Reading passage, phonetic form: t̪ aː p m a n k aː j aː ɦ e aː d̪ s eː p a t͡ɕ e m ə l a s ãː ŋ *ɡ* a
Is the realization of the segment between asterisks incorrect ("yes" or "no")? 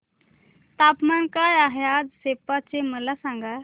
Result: no